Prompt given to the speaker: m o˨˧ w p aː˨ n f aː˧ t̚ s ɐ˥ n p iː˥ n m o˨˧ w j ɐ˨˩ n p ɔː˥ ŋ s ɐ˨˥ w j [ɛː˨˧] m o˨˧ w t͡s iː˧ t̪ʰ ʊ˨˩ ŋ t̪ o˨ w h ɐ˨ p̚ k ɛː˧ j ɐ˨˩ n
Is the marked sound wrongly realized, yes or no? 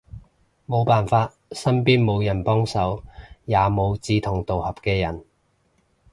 yes